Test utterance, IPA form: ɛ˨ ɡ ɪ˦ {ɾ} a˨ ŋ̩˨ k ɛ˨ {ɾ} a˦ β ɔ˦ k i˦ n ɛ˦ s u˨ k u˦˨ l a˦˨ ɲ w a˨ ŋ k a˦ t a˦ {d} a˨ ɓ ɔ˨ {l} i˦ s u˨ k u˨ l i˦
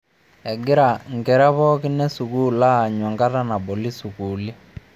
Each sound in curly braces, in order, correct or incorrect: correct, correct, incorrect: n, correct

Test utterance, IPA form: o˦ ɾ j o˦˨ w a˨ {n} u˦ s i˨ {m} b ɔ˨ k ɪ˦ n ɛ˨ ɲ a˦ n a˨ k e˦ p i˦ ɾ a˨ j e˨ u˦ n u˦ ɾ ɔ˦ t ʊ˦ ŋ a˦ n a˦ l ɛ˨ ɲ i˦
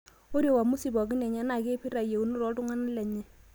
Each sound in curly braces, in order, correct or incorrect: incorrect: m, incorrect: none

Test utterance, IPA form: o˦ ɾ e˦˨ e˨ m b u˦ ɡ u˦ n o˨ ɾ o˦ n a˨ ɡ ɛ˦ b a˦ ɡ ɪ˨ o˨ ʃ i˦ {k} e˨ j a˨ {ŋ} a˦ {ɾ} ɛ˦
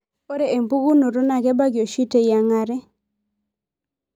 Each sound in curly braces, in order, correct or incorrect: incorrect: t, correct, correct

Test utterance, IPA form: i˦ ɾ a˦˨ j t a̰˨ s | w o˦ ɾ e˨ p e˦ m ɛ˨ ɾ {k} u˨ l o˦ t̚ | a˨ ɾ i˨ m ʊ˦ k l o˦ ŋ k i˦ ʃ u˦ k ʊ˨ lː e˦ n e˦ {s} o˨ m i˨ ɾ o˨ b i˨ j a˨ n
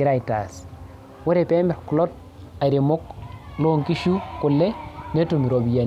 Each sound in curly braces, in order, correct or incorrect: correct, incorrect: t

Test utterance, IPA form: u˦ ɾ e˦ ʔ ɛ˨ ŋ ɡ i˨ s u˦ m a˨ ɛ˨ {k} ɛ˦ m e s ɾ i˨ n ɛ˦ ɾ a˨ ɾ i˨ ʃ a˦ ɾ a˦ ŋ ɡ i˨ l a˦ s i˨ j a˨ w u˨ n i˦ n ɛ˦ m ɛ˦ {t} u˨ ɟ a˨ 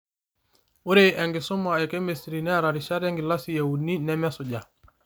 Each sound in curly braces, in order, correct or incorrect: correct, incorrect: s

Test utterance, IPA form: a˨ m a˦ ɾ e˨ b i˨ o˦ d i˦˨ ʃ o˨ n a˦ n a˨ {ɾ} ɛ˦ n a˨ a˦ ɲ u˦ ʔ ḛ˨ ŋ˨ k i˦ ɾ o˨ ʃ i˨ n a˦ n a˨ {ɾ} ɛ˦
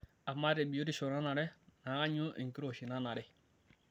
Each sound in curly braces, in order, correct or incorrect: correct, correct

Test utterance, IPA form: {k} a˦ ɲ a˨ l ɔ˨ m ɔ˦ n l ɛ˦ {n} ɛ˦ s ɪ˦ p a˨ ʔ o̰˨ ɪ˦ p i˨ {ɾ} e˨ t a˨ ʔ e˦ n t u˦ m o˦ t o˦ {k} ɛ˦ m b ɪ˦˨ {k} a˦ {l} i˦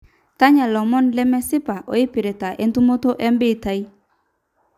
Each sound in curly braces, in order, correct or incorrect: incorrect: t, incorrect: m, correct, incorrect: ʔ, incorrect: t, incorrect: none

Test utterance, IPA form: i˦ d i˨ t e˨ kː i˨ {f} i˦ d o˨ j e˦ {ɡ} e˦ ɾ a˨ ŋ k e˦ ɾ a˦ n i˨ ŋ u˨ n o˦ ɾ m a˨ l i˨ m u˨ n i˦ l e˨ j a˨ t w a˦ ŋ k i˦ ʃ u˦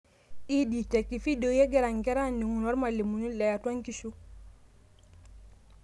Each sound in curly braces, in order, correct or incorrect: correct, correct

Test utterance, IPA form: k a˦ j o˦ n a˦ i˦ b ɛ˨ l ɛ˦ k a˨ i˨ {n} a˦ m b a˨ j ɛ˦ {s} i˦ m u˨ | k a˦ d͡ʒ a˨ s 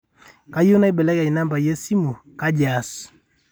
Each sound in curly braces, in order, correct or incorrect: correct, correct

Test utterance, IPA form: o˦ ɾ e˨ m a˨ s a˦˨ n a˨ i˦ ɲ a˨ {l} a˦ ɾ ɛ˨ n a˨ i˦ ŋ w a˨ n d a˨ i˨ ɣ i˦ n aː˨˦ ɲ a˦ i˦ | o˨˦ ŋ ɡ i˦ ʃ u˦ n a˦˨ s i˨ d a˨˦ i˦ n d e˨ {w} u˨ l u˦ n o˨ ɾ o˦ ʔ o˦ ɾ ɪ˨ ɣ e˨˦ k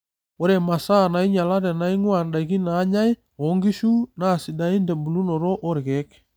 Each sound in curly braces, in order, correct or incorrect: correct, incorrect: b

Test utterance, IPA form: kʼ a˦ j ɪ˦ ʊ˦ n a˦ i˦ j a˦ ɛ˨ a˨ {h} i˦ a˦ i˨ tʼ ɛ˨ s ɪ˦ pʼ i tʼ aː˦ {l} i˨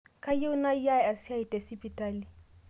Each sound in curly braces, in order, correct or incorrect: incorrect: s, correct

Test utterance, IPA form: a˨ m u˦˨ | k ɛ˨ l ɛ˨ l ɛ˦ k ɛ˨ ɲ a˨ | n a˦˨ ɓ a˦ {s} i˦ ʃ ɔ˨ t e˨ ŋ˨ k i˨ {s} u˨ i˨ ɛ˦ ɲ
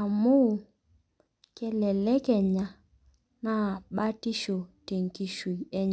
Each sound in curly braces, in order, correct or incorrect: incorrect: t, incorrect: ʃ

